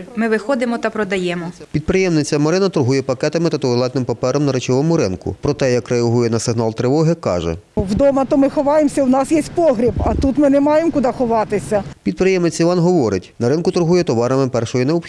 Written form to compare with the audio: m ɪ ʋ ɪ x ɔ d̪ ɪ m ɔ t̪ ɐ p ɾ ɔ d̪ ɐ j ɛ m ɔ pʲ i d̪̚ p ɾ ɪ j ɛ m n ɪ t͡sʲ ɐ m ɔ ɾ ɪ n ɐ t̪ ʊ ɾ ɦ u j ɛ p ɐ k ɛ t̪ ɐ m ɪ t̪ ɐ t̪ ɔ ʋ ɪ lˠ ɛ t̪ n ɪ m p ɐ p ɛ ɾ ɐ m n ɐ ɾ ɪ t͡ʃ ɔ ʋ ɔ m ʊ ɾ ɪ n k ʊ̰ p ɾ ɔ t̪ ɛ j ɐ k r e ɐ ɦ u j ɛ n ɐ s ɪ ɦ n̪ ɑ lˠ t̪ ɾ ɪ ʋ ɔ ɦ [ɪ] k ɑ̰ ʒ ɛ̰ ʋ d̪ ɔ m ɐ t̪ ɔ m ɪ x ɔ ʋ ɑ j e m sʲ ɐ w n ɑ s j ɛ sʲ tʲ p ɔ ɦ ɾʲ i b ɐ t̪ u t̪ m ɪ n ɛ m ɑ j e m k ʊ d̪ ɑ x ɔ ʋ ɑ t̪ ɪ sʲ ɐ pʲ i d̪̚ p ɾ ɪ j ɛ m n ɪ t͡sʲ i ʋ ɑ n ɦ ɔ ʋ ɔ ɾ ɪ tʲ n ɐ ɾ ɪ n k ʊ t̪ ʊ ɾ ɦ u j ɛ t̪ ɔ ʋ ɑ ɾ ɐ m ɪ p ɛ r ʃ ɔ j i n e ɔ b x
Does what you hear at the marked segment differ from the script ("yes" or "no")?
no